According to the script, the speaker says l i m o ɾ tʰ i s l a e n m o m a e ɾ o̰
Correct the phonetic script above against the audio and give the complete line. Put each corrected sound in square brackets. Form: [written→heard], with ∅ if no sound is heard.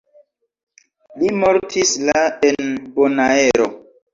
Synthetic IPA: l i m o ɾ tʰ i s l a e n [m→b] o [m→n] a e ɾ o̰